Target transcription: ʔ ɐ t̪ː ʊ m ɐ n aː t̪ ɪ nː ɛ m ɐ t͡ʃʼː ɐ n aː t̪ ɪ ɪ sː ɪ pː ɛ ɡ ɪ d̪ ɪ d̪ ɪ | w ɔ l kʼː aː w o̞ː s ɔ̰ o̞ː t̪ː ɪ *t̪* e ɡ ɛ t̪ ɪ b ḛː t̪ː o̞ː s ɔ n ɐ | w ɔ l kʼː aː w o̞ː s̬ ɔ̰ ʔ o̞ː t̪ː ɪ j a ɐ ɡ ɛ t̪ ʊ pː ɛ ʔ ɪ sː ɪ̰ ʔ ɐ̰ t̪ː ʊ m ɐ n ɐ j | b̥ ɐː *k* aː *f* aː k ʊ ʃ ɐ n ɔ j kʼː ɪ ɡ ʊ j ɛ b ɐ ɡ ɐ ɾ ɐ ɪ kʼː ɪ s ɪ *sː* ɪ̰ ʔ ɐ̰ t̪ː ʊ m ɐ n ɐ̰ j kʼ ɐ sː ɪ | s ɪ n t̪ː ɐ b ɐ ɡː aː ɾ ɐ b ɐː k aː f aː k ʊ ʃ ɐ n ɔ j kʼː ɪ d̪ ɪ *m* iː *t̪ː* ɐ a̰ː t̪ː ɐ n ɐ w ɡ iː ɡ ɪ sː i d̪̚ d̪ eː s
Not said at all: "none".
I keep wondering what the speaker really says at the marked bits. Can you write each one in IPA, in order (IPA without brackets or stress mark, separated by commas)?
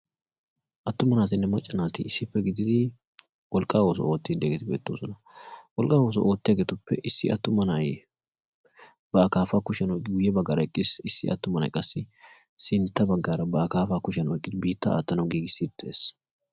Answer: d̪, k, f, sː, b, t̪ː